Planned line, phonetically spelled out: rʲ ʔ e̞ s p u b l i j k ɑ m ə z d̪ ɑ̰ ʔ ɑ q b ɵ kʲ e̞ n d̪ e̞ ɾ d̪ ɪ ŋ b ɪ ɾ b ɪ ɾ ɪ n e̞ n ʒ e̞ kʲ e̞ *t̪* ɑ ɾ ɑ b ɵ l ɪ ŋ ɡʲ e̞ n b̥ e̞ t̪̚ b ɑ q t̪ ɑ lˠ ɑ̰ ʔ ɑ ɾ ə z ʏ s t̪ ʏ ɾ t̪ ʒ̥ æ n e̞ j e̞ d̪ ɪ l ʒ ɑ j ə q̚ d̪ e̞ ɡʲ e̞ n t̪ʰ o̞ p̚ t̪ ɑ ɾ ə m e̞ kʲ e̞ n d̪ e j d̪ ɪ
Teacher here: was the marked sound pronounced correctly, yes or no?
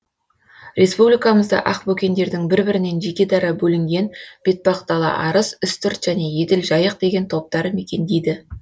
no